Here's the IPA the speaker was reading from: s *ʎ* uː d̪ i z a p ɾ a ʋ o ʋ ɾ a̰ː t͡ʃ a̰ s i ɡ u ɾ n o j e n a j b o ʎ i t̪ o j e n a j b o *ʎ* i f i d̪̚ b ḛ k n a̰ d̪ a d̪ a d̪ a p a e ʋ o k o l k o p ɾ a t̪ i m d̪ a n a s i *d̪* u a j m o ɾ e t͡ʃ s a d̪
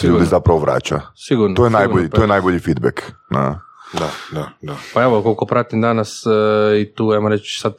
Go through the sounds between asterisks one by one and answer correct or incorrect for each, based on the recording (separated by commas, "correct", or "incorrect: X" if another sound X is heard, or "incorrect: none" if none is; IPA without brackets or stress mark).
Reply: correct, correct, incorrect: t̪